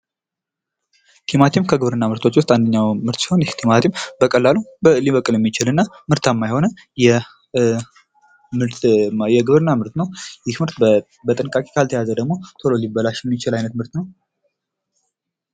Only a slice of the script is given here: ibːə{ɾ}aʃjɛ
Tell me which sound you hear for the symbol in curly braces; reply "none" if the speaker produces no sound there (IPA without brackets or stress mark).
l